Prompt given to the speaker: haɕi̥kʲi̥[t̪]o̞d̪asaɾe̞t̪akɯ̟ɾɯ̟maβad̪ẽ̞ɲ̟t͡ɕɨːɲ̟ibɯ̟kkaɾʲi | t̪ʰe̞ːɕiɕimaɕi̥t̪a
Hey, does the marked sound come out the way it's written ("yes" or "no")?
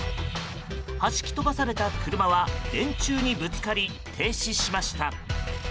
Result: yes